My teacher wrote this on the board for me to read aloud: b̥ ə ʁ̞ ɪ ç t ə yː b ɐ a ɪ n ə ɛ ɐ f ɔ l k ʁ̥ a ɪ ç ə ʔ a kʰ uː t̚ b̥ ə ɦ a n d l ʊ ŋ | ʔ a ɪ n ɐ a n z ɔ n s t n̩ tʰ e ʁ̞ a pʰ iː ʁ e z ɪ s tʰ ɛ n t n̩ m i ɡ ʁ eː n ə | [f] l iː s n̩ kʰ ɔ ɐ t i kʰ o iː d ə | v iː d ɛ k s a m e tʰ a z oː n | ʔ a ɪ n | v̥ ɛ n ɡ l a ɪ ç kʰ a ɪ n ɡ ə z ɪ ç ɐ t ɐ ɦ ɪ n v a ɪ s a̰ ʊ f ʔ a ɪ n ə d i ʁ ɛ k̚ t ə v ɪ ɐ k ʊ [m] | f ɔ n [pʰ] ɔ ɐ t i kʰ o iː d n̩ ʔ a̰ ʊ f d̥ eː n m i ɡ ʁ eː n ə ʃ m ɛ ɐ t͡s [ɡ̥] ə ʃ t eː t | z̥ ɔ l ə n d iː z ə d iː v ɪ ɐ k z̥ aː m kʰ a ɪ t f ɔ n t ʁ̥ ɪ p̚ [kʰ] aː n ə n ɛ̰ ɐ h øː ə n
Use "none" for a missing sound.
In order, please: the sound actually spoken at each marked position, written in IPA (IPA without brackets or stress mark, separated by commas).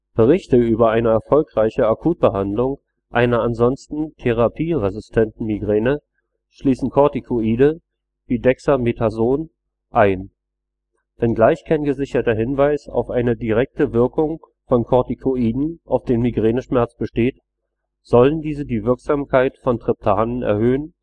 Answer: ʃ, ŋ, kʰ, b̥, tʰ